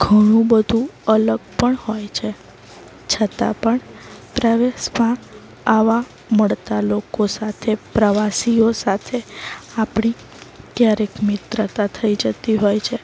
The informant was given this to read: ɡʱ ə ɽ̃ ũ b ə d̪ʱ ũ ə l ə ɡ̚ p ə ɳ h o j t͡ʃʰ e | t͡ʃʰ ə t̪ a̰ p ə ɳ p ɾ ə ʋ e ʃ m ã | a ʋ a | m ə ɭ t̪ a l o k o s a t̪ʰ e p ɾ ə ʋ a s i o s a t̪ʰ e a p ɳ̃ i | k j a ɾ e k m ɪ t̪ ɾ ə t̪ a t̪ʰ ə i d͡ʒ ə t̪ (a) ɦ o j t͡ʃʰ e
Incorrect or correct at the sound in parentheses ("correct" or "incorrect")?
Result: incorrect